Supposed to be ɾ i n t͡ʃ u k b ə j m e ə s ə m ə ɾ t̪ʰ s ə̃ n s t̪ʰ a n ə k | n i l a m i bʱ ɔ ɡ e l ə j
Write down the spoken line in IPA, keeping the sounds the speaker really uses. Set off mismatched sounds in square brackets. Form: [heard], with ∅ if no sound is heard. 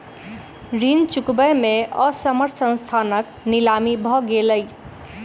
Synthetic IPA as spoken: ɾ i n t͡ʃ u k b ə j m e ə s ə m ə ɾ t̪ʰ s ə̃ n s t̪ʰ a n ə k | n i l a m i bʱ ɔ ɡ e l ə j